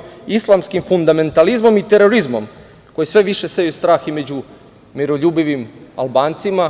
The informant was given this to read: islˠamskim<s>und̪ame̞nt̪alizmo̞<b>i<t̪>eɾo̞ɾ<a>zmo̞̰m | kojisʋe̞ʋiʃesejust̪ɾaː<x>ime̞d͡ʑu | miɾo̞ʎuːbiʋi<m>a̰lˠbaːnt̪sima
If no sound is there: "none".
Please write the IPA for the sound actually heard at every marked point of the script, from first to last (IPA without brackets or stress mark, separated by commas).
f, m, t̪, i, x, m